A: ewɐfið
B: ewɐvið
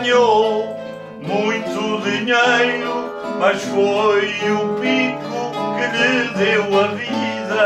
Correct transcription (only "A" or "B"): B